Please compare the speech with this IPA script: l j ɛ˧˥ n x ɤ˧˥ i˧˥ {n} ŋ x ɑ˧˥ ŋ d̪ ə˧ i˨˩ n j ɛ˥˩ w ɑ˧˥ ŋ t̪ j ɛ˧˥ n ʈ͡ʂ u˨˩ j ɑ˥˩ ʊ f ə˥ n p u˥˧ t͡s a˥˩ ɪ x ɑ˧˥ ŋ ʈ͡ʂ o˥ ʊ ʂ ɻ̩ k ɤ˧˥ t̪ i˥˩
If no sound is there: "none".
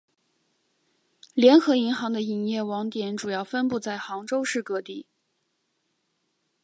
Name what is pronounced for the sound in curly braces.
none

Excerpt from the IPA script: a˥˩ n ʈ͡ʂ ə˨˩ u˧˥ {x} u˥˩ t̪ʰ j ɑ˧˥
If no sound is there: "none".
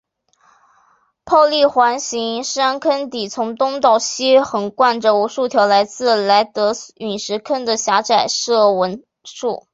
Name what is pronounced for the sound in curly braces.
ʂ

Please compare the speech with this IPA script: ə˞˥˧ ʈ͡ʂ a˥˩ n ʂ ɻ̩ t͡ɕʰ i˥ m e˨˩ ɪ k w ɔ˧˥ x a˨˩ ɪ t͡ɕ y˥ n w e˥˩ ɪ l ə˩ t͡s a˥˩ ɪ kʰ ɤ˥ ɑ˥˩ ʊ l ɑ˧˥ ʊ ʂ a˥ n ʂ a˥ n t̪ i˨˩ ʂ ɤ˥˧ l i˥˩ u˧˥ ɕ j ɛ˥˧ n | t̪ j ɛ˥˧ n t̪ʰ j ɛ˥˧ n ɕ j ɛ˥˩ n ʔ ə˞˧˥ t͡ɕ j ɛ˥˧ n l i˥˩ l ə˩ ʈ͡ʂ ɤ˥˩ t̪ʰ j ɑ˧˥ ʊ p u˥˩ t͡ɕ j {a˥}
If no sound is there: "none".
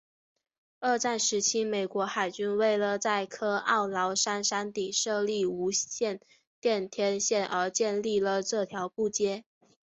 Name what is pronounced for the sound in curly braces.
ɛ˥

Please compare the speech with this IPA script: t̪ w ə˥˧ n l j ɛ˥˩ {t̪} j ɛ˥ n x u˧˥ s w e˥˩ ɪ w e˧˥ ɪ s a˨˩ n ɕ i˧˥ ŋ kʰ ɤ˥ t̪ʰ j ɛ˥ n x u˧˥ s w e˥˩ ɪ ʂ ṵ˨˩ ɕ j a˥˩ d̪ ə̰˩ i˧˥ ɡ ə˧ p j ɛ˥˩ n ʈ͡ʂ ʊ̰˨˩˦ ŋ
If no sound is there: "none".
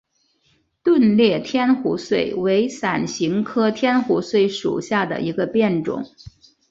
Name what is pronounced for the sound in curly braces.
t̪ʰ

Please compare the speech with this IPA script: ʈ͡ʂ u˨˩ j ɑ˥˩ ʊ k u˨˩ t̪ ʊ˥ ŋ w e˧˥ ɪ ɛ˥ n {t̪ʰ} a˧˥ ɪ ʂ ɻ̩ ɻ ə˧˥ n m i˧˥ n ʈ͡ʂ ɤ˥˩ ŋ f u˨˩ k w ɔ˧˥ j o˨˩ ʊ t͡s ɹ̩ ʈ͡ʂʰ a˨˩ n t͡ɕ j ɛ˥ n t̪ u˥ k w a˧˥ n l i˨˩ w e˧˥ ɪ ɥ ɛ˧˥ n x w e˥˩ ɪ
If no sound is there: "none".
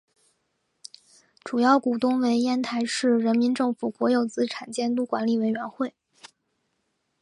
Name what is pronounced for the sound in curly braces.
t̪ʰ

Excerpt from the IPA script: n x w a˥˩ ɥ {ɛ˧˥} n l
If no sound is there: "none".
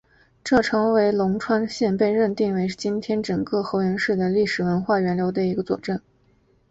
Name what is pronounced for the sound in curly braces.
ɛ˧˥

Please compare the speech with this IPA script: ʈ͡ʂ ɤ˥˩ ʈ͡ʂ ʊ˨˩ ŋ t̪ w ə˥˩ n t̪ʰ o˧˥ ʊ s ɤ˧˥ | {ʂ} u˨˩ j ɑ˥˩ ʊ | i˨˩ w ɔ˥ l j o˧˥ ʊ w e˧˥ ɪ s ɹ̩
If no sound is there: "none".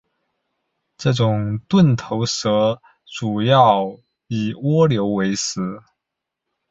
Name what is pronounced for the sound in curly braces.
ʈ͡ʂ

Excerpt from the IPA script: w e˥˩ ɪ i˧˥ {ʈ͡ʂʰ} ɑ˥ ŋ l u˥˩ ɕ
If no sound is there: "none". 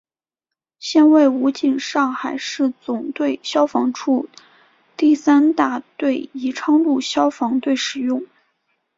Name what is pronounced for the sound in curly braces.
ʈ͡ʂʰ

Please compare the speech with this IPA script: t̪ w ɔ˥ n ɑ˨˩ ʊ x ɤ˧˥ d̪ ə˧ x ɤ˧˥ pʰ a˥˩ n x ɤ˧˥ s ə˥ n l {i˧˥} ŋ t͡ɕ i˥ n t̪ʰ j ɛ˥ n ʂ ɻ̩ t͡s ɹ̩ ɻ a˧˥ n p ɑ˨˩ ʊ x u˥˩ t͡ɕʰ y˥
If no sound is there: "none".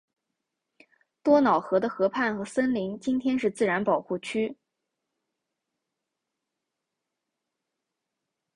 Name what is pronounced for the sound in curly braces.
i˧˥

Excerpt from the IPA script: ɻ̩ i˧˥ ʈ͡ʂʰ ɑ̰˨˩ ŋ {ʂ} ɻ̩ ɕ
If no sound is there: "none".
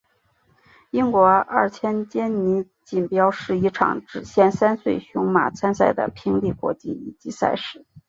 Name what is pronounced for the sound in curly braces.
ʈ͡ʂ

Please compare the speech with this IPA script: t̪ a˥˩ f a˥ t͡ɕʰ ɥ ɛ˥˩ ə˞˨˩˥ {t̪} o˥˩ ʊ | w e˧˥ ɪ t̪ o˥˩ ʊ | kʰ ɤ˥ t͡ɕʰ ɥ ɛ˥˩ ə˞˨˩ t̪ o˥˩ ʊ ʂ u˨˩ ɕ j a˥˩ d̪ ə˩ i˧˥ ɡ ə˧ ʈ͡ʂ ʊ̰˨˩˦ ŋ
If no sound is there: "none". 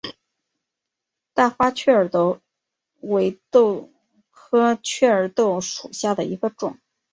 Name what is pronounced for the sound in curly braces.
t̪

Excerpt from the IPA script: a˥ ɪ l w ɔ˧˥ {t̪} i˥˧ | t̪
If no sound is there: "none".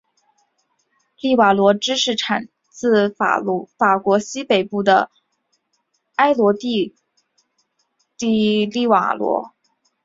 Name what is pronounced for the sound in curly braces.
t̪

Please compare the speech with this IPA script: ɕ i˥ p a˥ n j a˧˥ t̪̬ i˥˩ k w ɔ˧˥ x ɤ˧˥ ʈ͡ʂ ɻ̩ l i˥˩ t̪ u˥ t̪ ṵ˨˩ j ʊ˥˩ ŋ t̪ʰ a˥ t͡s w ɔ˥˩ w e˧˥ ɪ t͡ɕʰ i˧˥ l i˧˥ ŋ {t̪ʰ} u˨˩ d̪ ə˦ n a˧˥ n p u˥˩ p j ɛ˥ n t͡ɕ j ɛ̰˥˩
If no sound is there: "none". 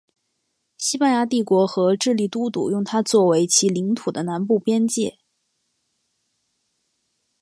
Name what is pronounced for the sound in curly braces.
t̪ʰ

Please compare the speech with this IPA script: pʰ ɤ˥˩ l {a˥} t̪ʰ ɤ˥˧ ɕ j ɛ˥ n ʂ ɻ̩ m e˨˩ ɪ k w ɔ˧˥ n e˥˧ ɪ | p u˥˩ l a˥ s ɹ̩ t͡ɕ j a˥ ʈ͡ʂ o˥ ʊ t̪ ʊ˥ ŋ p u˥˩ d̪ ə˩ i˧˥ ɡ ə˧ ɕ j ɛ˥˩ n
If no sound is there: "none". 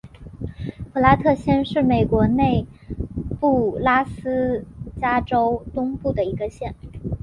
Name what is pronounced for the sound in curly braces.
a˥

